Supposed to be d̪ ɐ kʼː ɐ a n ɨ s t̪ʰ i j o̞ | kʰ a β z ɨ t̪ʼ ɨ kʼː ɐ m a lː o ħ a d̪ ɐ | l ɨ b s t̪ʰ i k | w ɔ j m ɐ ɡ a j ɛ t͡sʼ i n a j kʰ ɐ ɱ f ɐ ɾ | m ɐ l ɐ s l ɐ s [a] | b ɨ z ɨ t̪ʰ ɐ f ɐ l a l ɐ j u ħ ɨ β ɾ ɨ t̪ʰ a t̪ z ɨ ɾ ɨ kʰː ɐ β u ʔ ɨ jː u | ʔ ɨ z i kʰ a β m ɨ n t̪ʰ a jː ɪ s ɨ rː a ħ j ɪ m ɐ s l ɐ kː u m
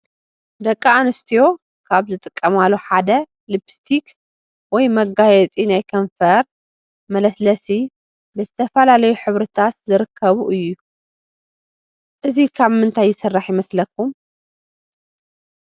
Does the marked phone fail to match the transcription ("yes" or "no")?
yes